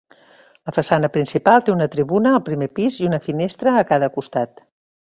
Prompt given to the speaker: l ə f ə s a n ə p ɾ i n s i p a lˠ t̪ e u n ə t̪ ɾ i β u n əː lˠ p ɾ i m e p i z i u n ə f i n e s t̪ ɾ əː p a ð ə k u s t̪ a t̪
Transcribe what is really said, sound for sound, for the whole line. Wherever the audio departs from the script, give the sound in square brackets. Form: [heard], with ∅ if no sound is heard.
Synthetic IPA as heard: l ə f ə s a n ə p ɾ i n s i p a lˠ t̪ e u n ə t̪ ɾ i β u n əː lˠ p ɾ i m e p i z i u n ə f i n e s t̪ ɾ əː [k] a ð ə k u s t̪ a t̪